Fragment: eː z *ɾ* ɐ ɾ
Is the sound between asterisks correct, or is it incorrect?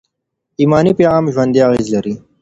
incorrect